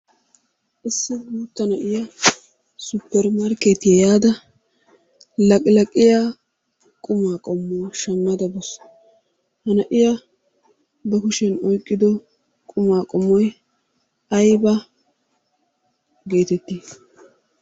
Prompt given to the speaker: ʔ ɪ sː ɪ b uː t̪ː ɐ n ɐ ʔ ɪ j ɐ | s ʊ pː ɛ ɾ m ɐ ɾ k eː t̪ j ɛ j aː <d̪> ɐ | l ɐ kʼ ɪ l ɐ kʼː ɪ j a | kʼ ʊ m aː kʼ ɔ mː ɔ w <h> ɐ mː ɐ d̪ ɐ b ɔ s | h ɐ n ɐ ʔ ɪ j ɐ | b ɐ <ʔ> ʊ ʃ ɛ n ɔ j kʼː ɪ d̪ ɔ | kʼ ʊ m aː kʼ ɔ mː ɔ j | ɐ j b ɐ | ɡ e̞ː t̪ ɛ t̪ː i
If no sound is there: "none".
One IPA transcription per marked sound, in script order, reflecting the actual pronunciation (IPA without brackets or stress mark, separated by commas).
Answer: d̪, ʃ, k